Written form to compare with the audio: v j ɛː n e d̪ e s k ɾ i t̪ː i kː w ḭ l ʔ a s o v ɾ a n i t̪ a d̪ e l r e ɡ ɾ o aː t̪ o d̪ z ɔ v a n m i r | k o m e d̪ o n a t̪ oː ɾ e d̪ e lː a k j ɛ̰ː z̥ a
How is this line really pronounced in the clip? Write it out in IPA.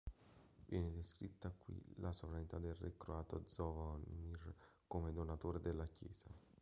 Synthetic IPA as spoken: v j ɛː n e d̪ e s k ɾ i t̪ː a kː w ḭ l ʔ a s o v ɾ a n i t̪ a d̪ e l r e k ɾ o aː t̪ o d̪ z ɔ v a n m i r | k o m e d̪ o n a t̪ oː ɾ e d̪ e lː a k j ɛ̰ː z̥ a